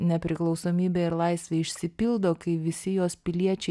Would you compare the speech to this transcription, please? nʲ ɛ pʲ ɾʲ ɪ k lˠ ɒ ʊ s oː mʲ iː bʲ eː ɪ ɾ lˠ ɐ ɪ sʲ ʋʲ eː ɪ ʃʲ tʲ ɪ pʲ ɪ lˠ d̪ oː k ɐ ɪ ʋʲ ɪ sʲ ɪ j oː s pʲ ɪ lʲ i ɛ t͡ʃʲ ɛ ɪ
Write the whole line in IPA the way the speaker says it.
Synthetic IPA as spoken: nʲ ɛ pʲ ɾʲ ɪ k lˠ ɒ ʊ s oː mʲ iː bʲ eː ɪ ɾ lˠ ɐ ɪ sʲ ʋʲ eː ɪ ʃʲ sʲ ɪ pʲ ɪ lˠ d̪ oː k ɐ ɪ ʋʲ ɪ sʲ ɪ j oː s pʲ ɪ lʲ i ɛ t͡ʃʲ ɛ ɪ